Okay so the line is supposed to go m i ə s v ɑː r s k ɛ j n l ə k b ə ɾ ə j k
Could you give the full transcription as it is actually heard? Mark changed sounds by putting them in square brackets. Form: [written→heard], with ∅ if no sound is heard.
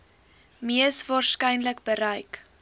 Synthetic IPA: m i ə s v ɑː r s k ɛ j n l ə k b ə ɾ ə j k